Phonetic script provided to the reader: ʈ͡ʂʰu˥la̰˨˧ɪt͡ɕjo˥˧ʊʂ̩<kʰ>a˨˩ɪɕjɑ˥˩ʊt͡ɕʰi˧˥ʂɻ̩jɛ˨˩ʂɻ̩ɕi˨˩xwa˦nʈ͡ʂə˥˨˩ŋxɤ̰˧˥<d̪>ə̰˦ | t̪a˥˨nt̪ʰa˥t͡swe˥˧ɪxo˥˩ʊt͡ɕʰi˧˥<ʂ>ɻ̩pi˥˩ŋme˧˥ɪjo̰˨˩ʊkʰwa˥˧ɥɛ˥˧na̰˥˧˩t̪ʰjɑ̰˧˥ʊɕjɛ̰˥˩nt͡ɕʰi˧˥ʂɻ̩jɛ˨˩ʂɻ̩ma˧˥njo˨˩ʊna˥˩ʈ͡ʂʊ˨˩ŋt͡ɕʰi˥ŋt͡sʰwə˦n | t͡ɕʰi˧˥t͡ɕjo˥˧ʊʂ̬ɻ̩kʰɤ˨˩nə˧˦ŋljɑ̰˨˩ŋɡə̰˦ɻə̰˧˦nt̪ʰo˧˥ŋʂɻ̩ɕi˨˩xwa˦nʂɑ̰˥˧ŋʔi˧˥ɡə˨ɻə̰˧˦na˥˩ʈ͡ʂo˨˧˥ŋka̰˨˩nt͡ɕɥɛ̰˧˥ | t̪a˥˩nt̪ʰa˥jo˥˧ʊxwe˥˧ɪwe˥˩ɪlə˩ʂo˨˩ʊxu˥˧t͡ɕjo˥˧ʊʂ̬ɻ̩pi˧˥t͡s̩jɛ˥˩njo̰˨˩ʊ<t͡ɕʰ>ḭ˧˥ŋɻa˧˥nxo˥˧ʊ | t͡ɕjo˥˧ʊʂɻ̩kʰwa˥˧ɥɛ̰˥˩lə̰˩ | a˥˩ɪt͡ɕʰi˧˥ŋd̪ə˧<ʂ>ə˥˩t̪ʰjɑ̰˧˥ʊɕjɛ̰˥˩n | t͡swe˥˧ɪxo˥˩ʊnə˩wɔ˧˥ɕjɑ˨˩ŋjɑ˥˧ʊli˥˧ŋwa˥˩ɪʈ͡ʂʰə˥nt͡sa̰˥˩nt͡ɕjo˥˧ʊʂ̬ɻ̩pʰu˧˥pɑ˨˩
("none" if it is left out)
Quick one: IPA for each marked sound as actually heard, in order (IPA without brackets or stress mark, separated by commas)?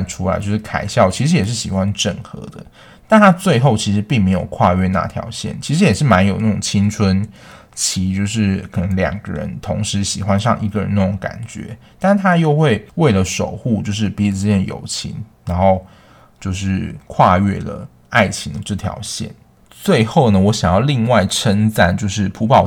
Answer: kʰ, d̪, ʂ, t͡ɕʰ, ʈ͡ʂ